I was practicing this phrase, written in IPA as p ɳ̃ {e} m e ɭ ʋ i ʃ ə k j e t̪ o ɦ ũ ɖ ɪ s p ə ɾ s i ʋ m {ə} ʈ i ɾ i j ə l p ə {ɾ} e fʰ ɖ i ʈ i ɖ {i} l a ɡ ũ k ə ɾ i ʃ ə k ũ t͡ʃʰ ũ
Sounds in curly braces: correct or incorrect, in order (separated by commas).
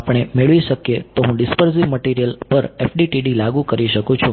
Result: correct, correct, correct, correct